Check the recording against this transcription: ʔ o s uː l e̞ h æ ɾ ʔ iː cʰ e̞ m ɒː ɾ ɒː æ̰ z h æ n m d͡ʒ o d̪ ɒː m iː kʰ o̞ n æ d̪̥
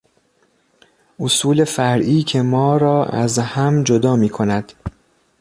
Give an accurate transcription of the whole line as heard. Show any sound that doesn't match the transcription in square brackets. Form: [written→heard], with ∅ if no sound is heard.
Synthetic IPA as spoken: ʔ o s uː l e̞ [h→f] æ ɾ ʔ iː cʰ e̞ m ɒː ɾ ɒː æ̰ z h æ [n→∅] m d͡ʒ o d̪ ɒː m iː kʰ o̞ n æ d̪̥